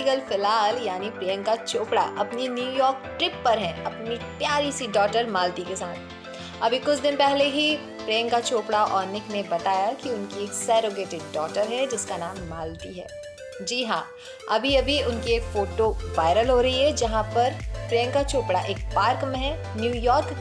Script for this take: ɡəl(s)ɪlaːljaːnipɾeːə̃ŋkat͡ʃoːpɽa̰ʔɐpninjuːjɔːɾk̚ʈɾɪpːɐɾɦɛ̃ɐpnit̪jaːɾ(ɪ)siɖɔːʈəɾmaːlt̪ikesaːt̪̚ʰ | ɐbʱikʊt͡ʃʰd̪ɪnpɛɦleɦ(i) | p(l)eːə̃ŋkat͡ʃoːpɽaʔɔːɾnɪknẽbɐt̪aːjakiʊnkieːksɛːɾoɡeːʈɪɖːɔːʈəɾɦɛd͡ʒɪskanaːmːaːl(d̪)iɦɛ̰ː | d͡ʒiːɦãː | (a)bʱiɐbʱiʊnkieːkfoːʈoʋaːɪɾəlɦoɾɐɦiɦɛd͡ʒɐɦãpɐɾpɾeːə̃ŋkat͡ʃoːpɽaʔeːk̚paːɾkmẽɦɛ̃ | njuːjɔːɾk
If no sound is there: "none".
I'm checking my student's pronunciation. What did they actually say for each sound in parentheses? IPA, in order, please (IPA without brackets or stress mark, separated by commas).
f, i, i, ɾ, t̪, ɐ